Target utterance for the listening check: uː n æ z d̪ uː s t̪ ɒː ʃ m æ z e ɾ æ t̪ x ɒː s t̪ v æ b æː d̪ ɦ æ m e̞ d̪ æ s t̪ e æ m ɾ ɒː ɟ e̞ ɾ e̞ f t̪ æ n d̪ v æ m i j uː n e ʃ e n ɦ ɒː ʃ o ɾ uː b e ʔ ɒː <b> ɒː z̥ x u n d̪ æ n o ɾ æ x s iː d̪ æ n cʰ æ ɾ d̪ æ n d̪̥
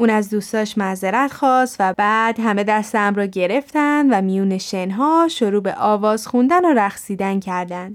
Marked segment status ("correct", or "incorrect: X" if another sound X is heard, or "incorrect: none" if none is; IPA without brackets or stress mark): incorrect: v